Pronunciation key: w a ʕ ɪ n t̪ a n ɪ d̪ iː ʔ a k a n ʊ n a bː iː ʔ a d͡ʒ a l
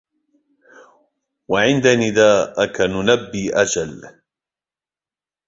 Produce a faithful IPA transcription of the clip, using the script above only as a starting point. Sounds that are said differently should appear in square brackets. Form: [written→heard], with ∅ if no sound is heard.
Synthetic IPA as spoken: w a ʕ ɪ n [t̪→d̪] a n ɪ d̪ [iː→aː] ʔ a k a n ʊ n a bː iː ʔ a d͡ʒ a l